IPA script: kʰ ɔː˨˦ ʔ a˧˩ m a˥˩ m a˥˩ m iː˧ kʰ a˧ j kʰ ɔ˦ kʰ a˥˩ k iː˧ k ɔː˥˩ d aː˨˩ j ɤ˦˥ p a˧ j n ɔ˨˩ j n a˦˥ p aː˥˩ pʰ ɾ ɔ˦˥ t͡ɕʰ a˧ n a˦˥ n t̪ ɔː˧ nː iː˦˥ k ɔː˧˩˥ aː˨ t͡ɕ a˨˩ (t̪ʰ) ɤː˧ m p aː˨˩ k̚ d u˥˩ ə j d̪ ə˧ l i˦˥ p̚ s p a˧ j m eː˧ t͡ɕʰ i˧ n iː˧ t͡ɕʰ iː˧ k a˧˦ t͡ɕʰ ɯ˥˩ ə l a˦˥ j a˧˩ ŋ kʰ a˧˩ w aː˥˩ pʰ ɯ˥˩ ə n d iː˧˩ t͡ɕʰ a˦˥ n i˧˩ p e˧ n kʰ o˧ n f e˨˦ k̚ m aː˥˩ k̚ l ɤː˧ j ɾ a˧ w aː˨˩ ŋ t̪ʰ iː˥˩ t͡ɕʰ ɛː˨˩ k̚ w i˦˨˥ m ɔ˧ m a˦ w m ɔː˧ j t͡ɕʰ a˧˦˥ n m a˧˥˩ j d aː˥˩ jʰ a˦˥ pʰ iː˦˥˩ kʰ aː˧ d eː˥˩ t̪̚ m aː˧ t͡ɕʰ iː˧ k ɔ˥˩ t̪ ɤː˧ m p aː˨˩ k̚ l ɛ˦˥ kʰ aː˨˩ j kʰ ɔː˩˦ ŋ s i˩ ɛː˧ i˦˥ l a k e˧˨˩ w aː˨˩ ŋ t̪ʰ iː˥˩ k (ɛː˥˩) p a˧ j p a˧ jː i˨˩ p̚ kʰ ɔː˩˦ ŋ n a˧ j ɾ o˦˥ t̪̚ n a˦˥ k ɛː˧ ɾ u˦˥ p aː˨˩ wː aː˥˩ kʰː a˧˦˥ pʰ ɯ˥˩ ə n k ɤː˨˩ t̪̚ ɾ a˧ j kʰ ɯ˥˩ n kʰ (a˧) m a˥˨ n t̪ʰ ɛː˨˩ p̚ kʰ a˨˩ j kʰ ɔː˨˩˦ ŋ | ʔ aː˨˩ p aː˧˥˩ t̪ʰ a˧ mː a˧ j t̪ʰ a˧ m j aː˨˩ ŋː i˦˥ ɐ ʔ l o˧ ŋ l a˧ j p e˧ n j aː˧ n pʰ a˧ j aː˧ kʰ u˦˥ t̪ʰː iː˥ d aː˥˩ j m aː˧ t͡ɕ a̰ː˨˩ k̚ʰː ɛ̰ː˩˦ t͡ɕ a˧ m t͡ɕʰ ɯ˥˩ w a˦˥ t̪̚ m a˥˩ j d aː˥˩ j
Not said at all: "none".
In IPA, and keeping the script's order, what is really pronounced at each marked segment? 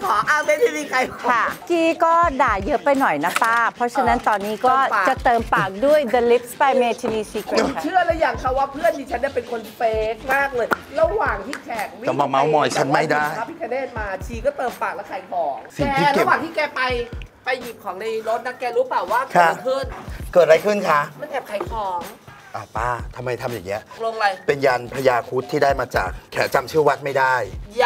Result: t̪, ɛː˧, a˦˥

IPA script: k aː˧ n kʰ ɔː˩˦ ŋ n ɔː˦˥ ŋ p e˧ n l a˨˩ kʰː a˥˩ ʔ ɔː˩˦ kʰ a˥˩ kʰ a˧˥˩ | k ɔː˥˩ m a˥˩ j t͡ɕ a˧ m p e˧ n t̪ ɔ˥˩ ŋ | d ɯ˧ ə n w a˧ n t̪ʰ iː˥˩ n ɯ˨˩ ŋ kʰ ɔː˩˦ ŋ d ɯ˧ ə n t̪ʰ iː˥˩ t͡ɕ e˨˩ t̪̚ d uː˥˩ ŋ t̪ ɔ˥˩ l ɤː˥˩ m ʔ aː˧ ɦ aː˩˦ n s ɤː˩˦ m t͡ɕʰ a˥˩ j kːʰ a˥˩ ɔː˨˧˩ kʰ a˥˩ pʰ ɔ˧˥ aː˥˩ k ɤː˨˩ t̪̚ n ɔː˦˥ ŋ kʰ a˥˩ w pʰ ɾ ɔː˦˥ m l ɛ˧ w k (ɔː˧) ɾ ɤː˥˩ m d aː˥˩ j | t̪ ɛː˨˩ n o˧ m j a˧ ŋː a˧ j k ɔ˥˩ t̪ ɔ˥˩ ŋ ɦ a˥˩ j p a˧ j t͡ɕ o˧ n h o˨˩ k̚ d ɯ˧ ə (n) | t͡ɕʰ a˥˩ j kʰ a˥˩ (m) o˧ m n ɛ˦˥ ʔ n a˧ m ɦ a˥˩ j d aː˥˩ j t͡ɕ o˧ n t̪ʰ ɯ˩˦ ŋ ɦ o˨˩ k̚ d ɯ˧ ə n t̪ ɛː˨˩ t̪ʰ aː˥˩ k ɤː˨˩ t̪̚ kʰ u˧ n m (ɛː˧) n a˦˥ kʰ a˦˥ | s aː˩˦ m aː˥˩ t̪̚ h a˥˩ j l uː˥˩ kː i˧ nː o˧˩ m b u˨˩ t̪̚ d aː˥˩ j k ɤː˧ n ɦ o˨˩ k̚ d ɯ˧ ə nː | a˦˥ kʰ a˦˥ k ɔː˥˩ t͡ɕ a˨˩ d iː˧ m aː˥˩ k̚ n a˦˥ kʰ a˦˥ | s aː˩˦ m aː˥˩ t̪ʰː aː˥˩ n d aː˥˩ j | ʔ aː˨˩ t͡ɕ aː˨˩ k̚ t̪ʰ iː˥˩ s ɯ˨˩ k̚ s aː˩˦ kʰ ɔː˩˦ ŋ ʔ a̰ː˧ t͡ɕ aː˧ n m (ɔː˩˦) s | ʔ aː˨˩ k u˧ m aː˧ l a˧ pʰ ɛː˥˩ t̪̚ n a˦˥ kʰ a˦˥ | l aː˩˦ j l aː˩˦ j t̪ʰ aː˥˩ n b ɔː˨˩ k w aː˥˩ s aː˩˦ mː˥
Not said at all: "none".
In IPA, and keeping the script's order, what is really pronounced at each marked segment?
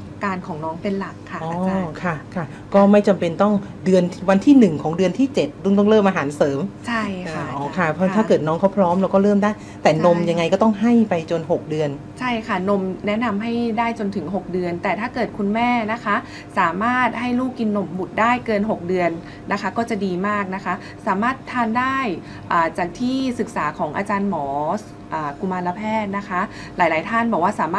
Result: ɔː˥˩, n, n, ɛː˥˩, ɔː˩˦

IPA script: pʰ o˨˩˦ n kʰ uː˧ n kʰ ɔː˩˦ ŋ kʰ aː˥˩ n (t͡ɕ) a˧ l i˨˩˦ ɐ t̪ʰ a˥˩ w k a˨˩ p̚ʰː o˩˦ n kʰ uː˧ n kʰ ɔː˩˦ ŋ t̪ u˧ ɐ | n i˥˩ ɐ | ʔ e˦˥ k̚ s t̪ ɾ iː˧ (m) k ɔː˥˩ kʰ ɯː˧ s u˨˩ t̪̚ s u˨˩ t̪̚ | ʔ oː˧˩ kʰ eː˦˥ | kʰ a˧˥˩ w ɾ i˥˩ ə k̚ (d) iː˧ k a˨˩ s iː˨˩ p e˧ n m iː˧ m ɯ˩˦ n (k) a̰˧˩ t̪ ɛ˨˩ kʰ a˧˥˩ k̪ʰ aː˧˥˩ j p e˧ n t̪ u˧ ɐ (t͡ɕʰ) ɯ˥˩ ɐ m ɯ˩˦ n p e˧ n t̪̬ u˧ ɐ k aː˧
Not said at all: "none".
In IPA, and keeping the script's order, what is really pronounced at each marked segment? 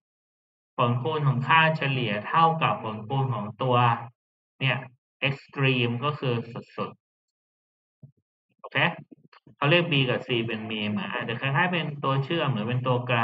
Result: t͡ɕʰ, m, b, ʔ, t͡ɕʰ

